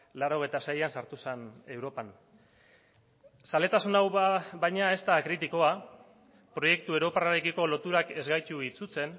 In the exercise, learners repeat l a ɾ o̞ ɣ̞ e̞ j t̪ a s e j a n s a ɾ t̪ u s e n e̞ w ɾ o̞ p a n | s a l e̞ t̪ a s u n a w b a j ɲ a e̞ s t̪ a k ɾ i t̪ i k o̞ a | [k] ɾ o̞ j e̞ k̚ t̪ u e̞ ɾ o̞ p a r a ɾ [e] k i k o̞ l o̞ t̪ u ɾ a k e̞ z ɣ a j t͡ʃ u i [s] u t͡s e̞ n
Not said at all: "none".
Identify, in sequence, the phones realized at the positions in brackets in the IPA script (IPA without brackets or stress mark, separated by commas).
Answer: p, e, t͡s